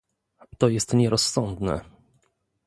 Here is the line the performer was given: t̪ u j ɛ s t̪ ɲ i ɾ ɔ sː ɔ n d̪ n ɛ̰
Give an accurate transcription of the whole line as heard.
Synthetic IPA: t̪ ɔ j ɛ s t̪ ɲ ɛ ɾ ɔ sː ɔ n d̪ n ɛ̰